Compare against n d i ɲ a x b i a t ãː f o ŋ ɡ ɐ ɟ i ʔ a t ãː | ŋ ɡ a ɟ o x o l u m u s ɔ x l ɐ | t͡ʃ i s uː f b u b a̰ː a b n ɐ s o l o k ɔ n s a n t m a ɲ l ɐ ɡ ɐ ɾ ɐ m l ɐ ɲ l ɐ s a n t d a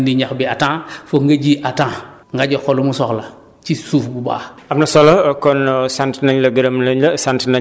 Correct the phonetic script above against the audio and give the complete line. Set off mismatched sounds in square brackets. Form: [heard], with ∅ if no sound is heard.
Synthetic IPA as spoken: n d i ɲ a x b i a t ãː f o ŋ ɡ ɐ ɟ i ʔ a t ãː | ŋ ɡ a ɟ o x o l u m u s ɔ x l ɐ | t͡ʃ i s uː f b u b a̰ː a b n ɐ s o l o k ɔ n s a n t [n] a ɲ l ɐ ɡ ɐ ɾ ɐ m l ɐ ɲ l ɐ s a n t [n] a